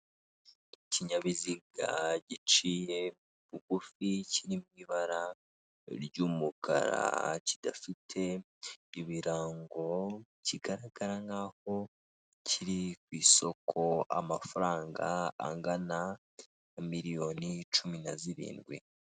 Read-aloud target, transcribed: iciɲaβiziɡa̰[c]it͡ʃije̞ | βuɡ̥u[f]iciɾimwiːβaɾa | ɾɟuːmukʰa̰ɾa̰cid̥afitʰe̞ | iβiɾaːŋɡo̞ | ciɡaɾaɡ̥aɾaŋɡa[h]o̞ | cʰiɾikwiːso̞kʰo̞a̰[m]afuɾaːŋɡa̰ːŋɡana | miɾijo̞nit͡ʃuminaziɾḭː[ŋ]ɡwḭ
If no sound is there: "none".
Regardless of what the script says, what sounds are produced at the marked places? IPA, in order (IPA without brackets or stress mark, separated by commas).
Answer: ɟ, f, h, m, n